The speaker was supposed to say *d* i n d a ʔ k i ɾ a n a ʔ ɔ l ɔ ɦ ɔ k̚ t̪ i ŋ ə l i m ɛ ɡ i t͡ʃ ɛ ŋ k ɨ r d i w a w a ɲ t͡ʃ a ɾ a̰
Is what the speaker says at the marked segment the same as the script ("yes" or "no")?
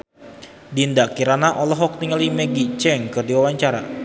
yes